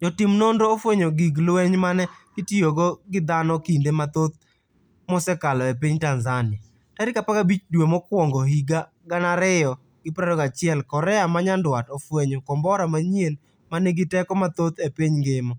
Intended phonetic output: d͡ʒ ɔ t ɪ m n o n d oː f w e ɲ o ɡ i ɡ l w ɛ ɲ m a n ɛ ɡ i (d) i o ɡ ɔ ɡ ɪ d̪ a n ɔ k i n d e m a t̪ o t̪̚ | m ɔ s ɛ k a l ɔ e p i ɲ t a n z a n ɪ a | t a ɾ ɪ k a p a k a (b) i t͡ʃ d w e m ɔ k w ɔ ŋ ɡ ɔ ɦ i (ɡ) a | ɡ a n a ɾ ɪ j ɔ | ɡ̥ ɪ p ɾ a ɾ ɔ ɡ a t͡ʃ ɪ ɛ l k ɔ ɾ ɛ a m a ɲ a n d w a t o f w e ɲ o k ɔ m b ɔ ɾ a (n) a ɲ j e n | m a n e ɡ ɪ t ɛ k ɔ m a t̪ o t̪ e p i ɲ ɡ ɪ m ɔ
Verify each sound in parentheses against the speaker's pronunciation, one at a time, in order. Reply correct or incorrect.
incorrect, correct, correct, incorrect

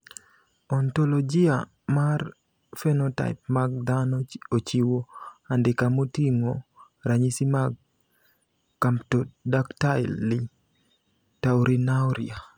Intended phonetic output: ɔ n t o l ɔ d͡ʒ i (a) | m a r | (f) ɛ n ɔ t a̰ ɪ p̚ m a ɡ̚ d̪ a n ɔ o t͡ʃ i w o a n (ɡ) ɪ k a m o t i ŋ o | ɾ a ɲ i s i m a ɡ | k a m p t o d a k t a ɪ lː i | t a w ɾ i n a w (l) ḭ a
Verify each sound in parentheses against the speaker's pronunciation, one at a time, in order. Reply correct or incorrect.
correct, correct, incorrect, incorrect

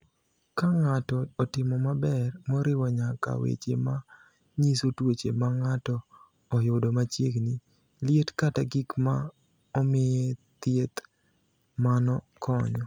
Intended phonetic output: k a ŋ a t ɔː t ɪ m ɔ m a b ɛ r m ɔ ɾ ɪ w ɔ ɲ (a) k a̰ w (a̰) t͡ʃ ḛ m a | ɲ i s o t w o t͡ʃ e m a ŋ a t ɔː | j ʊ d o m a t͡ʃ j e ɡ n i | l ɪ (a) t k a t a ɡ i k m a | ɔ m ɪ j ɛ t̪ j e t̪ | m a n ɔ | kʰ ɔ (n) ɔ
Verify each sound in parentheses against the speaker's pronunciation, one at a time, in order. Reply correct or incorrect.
correct, incorrect, incorrect, incorrect

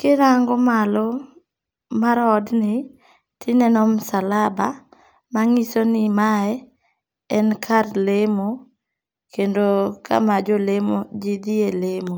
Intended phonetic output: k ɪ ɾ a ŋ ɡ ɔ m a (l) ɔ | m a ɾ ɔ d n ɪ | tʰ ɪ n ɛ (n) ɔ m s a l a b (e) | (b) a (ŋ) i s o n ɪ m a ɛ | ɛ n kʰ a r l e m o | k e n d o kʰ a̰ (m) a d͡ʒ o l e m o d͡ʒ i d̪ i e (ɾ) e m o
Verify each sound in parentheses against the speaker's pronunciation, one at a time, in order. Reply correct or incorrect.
correct, correct, incorrect, incorrect, correct, correct, incorrect

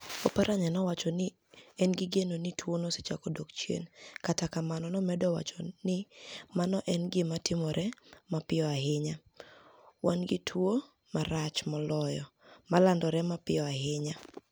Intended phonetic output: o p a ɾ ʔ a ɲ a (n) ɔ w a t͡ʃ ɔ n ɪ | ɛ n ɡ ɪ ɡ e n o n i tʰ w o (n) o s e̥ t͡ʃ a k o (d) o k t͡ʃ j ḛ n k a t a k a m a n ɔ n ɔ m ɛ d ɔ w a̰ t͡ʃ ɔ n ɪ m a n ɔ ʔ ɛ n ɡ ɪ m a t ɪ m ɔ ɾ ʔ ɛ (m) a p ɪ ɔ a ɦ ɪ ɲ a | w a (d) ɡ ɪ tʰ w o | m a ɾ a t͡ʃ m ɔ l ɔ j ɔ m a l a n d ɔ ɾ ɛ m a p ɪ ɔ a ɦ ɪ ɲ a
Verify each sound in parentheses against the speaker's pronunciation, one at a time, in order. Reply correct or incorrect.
correct, correct, correct, correct, incorrect

